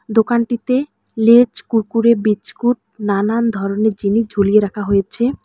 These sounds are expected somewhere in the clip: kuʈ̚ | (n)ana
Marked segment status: correct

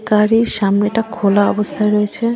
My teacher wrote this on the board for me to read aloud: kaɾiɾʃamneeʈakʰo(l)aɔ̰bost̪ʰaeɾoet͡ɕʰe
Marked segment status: correct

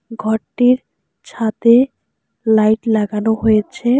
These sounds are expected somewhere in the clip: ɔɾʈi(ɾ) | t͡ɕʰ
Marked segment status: correct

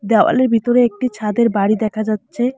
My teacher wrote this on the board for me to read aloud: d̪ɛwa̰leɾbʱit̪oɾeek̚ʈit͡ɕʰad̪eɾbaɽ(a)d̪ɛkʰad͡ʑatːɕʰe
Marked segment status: incorrect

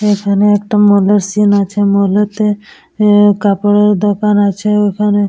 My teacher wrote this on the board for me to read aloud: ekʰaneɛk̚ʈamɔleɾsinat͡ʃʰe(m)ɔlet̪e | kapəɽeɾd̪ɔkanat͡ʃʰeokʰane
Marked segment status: correct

